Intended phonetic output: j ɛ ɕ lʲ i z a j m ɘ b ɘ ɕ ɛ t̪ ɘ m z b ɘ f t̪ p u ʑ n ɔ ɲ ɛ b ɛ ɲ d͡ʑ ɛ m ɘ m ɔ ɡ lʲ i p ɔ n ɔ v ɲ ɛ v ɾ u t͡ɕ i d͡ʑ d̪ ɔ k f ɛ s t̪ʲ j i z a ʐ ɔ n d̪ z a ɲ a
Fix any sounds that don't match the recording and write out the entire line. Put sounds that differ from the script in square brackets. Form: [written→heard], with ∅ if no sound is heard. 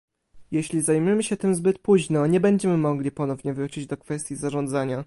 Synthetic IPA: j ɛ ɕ lʲ i z a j m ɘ [b→m] ɘ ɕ ɛ t̪ ɘ m z b ɘ [f→∅] t̪ p u ʑ n ɔ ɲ ɛ b ɛ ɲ d͡ʑ ɛ m ɘ m ɔ ɡ lʲ i p ɔ n ɔ v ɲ ɛ v ɾ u t͡ɕ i d͡ʑ d̪ ɔ k f ɛ s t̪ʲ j i z a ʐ ɔ n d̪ z a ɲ a